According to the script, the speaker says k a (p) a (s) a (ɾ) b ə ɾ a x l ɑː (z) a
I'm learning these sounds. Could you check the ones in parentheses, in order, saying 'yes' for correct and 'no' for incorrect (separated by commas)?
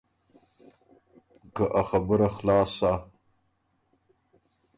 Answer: no, no, no, no